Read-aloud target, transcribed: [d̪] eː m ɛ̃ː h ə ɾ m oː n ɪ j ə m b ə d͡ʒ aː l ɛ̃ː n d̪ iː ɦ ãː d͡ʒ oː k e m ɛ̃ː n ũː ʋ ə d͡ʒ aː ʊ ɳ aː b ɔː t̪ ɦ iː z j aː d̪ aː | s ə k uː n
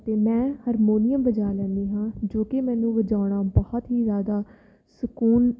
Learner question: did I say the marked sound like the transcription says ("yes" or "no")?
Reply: no